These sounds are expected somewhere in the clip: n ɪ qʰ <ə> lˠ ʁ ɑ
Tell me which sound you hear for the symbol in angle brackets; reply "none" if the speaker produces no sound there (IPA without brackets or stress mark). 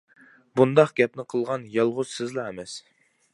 ə